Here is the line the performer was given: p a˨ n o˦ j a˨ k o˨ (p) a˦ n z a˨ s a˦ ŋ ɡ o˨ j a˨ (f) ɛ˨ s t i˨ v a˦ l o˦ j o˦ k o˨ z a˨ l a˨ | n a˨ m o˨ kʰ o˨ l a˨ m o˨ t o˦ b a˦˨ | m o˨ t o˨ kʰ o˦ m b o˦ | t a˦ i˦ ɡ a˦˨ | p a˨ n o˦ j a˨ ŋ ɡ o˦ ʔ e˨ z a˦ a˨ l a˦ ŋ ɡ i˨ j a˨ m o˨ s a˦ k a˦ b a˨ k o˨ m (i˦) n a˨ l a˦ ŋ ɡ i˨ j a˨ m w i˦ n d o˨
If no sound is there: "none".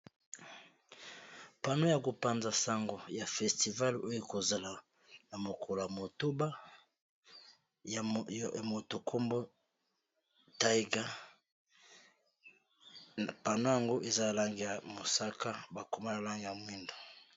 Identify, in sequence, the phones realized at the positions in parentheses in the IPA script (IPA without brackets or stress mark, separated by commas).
p, f, a˦